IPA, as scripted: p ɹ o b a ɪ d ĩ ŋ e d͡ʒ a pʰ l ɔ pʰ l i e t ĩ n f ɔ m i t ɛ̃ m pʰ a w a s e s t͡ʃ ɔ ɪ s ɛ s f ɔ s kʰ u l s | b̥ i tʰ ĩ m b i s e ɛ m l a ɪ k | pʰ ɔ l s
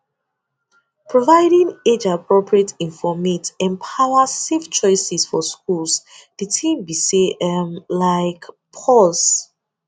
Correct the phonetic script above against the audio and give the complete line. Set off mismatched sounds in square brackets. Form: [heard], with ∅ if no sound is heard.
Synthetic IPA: p ɹ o [v] a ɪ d ĩ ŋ e d͡ʒ a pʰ [ɹ] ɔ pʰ [ɹ] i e t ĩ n f ɔ m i t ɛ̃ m pʰ a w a s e [f] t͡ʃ ɔ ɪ s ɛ s f ɔ s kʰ u l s | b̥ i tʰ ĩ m b i s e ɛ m l a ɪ k | pʰ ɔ l s